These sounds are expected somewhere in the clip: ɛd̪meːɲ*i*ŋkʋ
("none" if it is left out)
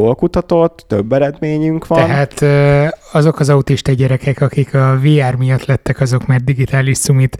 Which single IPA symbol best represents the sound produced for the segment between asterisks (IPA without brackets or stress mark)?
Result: y